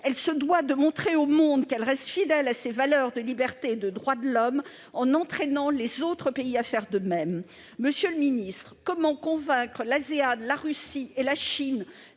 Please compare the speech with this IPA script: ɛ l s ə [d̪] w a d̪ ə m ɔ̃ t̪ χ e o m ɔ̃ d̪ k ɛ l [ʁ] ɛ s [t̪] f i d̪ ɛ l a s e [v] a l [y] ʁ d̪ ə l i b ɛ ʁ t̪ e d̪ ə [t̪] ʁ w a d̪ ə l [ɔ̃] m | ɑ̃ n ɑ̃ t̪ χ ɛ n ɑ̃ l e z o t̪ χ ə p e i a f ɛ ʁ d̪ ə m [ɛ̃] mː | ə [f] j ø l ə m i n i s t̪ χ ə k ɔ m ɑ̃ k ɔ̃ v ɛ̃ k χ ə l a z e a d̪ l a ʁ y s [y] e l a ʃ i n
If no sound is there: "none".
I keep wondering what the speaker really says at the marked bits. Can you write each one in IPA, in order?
d̪, ʁ, t̪, v, œ, d̪, ɔ, ɛ, s, i

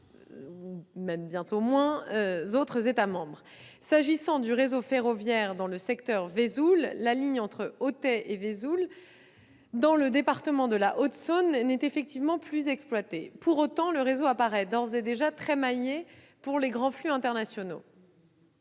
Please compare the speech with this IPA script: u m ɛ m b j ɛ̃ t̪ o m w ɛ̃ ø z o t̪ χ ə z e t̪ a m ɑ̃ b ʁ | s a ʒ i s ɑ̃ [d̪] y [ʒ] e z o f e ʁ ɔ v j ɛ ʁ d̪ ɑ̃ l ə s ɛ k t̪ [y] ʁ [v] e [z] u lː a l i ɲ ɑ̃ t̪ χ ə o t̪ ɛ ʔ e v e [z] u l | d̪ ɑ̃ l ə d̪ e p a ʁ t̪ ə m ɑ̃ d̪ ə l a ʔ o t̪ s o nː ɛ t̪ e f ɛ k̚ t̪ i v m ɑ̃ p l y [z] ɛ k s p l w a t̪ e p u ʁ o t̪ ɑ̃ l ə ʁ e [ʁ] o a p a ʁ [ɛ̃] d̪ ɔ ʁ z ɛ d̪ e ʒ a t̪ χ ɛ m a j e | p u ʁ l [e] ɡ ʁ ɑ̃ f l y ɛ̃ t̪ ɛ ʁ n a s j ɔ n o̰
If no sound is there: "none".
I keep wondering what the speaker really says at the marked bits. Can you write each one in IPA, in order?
d̪, ʁ, œ, v, z, z, z, z, ɛ, e

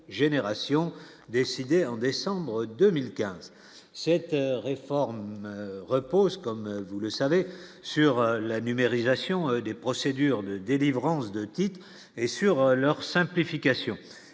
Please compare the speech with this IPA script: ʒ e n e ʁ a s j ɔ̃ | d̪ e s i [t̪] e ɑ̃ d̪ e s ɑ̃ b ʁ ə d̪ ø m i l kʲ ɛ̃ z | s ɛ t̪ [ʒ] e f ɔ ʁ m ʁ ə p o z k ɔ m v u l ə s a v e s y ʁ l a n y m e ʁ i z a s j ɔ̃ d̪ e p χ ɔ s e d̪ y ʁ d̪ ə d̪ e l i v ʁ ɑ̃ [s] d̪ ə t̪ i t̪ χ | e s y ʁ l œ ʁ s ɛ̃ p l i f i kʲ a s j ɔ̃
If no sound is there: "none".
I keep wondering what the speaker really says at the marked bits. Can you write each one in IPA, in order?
d̪, ʁ, s

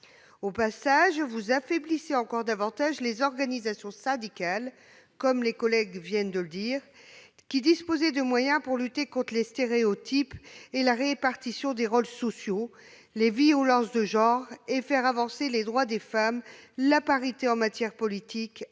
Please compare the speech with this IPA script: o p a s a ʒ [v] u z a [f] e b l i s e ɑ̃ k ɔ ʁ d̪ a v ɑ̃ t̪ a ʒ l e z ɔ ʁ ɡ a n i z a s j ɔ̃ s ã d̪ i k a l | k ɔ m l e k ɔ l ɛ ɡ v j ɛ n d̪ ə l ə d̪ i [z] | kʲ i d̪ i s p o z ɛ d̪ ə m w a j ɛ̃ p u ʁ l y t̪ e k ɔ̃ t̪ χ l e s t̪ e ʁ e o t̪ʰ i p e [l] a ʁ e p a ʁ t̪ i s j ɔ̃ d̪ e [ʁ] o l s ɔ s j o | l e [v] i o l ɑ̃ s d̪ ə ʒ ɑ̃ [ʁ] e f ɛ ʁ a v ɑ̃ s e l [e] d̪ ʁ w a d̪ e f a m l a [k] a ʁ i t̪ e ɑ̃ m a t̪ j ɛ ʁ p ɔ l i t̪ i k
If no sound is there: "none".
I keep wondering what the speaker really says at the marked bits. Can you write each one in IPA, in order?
v, f, ʁ, l, ʁ, v, ʁ, e, p

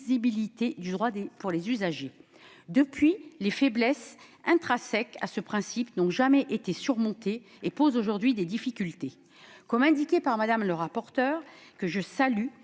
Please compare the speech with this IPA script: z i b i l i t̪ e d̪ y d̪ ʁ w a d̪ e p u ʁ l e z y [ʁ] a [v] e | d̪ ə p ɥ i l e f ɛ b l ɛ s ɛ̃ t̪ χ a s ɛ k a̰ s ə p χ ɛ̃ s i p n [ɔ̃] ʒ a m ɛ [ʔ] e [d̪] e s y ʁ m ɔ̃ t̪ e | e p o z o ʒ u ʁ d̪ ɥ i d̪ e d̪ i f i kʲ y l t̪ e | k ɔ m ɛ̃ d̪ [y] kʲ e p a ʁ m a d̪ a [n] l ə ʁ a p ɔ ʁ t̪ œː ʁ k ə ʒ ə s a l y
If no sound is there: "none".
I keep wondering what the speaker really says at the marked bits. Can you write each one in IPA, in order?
z, ʒ, ɔ̃, ʔ, t̪, i, m

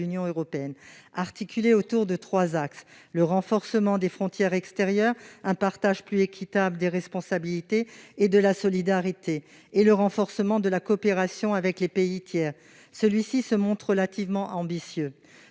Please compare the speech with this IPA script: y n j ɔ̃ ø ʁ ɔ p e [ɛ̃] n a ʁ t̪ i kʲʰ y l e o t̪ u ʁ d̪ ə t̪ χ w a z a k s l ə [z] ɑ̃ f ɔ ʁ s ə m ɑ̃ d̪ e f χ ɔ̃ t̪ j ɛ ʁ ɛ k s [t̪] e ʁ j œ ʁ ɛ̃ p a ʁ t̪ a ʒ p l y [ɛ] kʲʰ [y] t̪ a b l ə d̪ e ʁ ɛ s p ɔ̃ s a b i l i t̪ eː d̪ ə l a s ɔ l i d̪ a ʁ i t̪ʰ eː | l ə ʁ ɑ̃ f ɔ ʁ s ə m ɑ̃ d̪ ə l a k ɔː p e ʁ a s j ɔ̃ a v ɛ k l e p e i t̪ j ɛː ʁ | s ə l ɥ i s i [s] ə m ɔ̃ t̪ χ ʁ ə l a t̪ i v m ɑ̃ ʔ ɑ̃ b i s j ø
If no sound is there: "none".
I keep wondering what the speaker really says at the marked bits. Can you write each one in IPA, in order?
ɛ, ʁ, t̪, e, i, s

